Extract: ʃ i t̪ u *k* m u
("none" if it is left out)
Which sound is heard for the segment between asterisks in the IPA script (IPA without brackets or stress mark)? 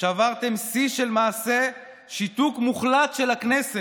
k